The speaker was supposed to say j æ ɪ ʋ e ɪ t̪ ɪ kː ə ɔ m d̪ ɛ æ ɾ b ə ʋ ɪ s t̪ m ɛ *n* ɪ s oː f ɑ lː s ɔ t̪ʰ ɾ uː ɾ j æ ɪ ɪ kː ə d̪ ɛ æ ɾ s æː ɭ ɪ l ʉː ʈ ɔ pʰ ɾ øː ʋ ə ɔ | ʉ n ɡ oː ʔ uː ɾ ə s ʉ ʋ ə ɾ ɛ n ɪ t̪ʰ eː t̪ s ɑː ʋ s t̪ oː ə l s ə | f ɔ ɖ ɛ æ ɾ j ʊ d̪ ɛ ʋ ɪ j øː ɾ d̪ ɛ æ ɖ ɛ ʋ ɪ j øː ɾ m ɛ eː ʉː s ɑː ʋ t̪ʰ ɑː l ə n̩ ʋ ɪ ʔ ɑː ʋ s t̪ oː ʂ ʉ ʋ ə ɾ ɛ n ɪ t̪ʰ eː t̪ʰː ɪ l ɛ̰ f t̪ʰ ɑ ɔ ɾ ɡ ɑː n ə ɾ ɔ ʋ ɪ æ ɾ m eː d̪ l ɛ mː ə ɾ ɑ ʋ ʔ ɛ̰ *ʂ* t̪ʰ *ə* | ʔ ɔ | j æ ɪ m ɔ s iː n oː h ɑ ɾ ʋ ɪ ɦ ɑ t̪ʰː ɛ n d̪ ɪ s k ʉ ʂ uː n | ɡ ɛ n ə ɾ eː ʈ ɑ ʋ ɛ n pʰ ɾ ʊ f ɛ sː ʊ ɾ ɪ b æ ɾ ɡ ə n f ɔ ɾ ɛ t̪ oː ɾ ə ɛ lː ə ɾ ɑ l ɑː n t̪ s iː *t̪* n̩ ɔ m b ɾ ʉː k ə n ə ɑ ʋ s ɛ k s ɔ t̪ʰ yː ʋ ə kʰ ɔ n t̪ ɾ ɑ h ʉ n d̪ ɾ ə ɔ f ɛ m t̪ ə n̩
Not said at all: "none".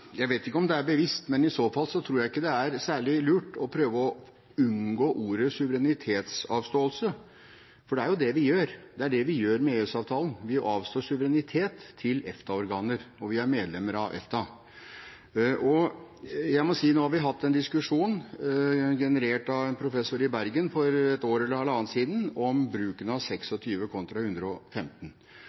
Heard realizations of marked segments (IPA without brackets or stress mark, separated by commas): n, f, ɑ, d̪